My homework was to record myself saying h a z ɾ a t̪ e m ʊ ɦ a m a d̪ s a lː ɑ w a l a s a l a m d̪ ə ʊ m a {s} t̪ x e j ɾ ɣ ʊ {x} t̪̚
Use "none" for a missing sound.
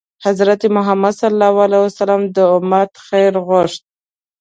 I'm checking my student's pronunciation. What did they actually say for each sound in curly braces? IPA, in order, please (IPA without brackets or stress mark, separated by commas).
none, ʂ